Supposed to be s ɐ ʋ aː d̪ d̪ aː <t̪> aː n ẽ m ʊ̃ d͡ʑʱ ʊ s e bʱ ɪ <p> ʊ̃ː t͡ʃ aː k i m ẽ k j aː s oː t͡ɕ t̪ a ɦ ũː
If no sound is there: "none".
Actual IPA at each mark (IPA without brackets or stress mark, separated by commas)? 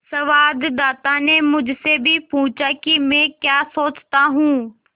t̪, p